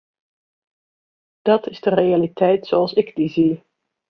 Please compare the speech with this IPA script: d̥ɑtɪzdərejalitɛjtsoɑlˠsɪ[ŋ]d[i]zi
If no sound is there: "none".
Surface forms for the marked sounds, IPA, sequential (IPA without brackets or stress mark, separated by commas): ɡ, i